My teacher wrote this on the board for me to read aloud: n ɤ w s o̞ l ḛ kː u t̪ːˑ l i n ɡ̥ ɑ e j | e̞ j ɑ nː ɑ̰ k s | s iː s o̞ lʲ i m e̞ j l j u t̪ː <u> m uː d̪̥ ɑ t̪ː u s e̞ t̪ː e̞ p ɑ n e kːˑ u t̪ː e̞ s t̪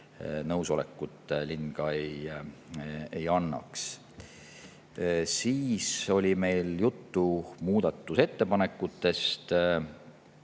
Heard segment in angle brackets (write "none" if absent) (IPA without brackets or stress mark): u